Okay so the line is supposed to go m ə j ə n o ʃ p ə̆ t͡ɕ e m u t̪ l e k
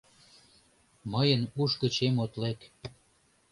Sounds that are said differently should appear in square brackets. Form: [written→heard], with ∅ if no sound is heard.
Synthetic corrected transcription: m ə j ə n [o→u] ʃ [p→k] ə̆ t͡ɕ e m [u→o] t̪ l e k

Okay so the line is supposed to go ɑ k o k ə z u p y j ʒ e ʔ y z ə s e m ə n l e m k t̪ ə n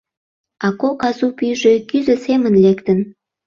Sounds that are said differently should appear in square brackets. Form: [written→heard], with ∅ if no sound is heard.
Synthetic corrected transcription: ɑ k o k [ə→ɑ] z u p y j ʒ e [ʔ→k] y z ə s e m ə n l e [m→∅] k t̪ ə n

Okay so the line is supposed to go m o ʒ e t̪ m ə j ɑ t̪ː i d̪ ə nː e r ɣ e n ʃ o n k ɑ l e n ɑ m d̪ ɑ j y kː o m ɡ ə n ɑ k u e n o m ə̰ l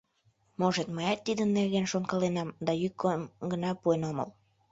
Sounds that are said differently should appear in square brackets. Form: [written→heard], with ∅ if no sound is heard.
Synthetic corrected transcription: m o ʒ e t̪ m ə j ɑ t̪ː i d̪ ə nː e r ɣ e n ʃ o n k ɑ l e n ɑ m d̪ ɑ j y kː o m ɡ ə n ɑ [k→p] u e n o m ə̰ l

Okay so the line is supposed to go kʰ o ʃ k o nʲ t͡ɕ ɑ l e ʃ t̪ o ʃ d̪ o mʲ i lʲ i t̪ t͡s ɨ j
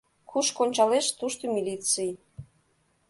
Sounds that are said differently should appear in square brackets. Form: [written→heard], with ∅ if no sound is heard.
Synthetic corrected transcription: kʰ [o→u] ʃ k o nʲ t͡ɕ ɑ l e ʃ t̪ [o→u] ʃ [d̪→t̪] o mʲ i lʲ i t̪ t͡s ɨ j

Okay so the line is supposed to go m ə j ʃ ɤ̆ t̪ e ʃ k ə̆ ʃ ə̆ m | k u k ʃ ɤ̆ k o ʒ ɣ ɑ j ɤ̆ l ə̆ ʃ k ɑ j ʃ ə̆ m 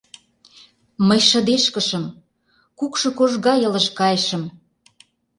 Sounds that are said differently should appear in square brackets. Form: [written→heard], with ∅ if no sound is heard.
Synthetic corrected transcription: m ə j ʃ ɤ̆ [t̪→d̪] e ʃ k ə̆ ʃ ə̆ m | k u k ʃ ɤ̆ k o ʒ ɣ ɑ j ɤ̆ l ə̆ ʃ k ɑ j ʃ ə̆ m

